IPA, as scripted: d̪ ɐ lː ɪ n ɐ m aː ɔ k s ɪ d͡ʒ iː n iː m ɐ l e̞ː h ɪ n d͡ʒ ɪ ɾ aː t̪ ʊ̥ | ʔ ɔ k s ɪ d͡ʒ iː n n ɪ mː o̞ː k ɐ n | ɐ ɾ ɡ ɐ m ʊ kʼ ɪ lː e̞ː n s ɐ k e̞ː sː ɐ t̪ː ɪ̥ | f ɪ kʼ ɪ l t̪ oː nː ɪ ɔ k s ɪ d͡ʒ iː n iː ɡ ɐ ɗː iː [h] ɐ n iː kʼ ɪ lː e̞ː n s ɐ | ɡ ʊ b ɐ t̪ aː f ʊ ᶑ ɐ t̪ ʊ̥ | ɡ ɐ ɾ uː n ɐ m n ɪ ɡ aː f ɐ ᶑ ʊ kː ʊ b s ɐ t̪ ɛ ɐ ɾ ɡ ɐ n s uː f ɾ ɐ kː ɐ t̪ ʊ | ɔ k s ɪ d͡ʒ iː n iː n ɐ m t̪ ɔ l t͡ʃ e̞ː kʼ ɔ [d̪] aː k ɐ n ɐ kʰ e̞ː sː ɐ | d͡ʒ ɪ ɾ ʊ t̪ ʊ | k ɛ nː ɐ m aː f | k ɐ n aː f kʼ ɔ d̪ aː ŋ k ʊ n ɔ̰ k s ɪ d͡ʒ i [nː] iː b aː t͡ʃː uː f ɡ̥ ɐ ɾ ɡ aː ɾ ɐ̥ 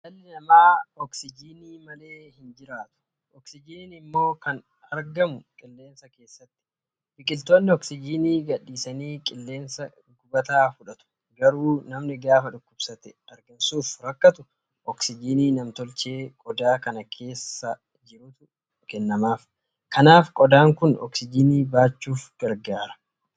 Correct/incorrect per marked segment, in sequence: incorrect: s, correct, incorrect: n

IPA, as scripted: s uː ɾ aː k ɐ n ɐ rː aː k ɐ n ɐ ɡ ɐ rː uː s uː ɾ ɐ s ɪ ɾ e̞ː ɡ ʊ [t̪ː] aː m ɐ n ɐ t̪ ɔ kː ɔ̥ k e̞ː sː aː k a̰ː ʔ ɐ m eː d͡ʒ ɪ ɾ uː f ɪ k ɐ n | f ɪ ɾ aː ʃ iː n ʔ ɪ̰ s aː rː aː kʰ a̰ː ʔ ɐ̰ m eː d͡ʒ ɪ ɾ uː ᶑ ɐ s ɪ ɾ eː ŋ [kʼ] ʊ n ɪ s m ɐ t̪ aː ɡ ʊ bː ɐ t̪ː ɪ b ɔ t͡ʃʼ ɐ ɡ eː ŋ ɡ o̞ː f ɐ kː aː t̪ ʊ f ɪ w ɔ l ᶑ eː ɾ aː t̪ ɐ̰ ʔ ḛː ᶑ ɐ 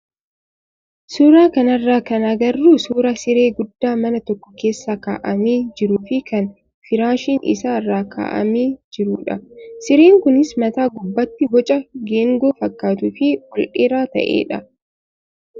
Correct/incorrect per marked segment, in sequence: incorrect: d̪ː, incorrect: k

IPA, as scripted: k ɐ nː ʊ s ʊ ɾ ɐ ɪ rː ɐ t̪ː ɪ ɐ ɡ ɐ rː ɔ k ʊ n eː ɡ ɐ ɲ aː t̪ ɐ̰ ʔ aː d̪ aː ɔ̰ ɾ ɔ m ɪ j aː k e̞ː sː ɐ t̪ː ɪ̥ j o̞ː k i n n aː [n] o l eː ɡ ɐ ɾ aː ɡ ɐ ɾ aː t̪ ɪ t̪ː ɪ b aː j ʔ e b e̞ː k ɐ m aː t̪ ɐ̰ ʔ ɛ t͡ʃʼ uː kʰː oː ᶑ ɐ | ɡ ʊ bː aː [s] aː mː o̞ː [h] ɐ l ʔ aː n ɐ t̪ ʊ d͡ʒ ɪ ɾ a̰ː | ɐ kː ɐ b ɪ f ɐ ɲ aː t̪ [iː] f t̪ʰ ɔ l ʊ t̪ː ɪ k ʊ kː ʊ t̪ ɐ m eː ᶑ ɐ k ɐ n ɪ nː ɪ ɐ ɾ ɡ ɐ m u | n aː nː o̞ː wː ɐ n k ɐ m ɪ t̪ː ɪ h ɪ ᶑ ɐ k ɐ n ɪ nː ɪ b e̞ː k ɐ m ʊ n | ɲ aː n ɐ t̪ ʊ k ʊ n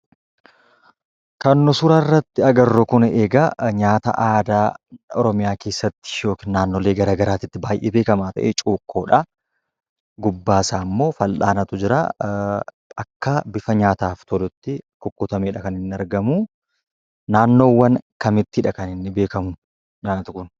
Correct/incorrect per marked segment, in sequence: incorrect: nː, correct, incorrect: f, incorrect: aː

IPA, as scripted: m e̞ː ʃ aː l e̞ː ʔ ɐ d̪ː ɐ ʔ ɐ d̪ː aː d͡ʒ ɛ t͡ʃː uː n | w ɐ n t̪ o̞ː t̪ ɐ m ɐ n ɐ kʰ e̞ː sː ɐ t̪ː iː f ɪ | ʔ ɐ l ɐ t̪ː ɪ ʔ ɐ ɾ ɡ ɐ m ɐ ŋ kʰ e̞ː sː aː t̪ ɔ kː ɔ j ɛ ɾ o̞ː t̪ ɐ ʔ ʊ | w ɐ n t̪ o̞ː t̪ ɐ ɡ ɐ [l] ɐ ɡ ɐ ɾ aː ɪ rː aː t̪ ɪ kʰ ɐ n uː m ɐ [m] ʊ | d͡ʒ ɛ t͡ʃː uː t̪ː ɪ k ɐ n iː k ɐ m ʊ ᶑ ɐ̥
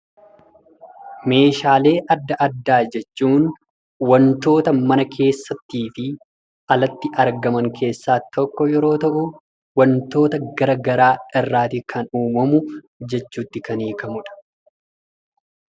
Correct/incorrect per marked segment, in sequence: incorrect: ɾ, correct

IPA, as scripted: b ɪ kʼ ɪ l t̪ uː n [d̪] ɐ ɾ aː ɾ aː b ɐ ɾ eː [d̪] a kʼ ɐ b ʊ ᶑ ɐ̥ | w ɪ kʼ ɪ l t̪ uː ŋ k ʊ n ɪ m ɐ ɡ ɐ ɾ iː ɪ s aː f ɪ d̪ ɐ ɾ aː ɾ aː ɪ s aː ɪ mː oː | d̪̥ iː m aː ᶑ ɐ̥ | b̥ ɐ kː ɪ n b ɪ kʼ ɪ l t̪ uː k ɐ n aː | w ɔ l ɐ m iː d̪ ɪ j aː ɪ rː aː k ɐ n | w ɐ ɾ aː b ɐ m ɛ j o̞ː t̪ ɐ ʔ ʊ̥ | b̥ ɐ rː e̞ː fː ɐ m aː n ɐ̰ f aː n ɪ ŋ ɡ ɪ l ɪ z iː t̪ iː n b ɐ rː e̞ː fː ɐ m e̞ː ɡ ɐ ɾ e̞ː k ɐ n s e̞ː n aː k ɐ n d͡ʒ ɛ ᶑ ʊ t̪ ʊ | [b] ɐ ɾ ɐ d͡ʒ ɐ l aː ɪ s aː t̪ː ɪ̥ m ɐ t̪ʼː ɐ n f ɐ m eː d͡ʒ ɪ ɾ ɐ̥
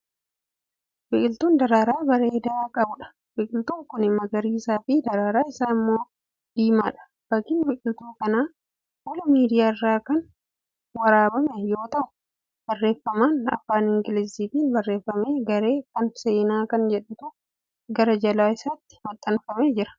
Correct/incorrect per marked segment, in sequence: correct, correct, incorrect: ɡ

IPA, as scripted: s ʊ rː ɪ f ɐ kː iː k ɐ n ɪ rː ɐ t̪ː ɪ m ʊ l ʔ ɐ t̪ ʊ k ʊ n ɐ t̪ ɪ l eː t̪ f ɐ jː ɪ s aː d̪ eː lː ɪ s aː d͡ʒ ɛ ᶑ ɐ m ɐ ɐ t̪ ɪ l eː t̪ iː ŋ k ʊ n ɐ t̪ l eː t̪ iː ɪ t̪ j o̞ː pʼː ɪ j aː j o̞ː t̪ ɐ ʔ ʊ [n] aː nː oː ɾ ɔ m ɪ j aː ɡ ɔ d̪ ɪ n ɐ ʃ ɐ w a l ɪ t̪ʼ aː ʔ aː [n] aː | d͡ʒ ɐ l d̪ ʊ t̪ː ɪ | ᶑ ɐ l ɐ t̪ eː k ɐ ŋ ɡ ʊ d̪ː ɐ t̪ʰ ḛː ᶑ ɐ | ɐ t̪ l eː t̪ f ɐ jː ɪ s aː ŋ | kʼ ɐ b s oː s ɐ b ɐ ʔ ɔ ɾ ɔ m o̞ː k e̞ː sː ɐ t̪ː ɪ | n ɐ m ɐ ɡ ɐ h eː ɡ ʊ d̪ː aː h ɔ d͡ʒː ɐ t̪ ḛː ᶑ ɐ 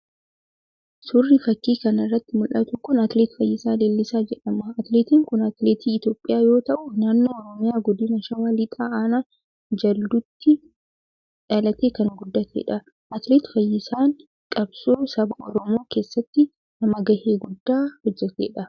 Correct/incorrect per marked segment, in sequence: correct, correct

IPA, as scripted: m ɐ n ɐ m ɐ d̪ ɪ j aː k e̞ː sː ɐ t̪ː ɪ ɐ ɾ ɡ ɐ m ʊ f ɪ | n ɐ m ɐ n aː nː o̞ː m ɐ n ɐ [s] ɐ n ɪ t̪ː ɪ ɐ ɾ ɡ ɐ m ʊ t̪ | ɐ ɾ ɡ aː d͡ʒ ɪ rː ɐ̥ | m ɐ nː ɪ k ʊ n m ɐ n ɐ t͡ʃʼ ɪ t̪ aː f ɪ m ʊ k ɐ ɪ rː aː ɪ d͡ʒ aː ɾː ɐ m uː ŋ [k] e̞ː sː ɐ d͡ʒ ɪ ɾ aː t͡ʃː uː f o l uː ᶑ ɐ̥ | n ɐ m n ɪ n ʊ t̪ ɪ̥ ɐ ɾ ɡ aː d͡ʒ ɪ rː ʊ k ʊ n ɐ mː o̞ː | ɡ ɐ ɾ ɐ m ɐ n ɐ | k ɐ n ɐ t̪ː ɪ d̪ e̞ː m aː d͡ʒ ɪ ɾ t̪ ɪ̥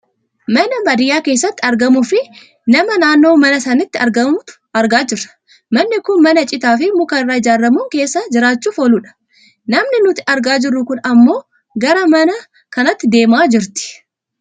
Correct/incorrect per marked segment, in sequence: correct, correct

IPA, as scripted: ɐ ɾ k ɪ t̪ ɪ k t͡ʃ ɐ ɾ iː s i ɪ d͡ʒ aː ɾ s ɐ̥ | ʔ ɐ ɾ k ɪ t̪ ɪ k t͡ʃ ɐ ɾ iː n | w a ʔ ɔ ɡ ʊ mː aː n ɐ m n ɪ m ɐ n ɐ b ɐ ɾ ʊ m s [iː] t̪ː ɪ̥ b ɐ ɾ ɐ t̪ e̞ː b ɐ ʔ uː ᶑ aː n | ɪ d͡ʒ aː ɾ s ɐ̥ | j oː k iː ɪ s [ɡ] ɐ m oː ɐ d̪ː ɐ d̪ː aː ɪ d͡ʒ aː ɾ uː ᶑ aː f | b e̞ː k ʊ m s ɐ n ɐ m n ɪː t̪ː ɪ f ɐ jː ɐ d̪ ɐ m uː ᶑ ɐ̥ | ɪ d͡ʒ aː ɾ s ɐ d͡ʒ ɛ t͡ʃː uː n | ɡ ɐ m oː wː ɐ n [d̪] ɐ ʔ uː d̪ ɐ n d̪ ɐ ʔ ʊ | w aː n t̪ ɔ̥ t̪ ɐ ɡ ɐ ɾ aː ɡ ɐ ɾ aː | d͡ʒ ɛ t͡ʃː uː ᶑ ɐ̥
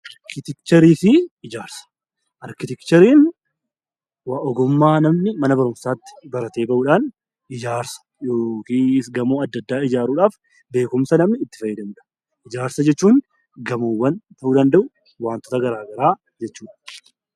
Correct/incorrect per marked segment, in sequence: incorrect: aː, correct, incorrect: t̪

